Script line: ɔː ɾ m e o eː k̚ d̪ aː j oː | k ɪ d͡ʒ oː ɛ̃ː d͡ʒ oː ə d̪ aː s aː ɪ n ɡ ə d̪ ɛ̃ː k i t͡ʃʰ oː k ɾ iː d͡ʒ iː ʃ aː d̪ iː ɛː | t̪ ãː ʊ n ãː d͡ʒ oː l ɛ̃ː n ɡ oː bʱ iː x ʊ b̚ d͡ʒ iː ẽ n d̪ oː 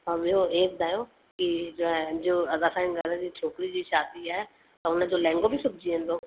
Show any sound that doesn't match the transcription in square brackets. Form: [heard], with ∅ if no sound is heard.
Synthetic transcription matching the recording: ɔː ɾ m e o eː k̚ d̪ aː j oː | k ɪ d͡ʒ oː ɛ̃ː d͡ʒ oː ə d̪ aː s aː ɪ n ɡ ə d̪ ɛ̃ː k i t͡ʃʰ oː k ɾ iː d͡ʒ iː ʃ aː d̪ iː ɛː | t̪ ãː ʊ n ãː d͡ʒ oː l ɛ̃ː [ŋ] ɡ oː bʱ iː [s] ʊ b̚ d͡ʒ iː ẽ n d̪ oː